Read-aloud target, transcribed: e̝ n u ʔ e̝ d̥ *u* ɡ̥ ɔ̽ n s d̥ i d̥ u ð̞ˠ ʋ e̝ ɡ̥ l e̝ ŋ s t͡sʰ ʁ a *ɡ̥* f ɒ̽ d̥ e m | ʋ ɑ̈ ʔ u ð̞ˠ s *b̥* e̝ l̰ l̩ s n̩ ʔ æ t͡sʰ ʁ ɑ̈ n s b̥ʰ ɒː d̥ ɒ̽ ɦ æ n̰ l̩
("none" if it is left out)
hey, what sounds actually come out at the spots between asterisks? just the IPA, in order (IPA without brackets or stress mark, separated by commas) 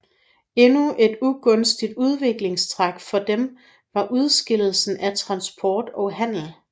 u, ɡ̥, ɡ̥